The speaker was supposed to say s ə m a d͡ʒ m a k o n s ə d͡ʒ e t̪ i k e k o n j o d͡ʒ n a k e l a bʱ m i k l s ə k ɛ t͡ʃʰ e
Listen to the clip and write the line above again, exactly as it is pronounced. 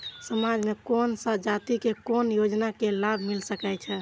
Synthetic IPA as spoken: s ə m a d͡ʒ m e k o n s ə d͡ʒ a t̪ i k e k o n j o d͡ʒ n a k e l a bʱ m i l s ə k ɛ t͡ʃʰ ɛ